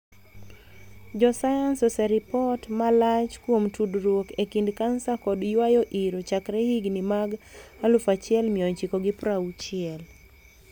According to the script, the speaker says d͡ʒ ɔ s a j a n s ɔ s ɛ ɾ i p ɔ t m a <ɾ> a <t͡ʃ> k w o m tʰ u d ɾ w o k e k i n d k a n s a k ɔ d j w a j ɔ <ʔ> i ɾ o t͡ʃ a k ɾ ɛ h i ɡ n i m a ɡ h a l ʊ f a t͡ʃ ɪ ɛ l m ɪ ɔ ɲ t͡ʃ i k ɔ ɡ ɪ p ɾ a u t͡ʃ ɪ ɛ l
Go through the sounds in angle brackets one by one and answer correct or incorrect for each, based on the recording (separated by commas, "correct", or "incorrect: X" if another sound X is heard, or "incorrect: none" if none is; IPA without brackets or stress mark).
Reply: incorrect: l, correct, correct